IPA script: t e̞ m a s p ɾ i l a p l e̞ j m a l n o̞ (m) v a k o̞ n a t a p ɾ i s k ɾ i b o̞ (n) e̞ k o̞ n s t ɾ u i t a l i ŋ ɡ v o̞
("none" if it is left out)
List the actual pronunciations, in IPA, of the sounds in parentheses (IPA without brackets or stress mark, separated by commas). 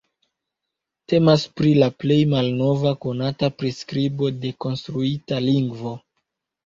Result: none, d